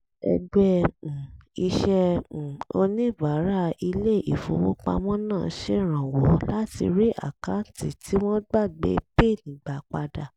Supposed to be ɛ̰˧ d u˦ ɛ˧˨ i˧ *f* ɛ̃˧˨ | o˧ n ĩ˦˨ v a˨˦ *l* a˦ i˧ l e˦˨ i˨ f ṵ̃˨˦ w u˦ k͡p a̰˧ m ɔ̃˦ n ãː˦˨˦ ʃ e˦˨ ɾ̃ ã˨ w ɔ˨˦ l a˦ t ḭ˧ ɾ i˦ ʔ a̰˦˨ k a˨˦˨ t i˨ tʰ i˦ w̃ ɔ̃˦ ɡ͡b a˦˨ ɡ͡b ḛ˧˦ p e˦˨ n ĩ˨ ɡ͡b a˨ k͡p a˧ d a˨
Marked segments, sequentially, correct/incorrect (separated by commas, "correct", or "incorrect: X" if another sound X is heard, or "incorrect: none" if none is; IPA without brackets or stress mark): incorrect: ʃ, incorrect: ɾ